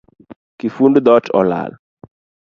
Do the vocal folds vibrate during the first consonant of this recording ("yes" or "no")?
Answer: no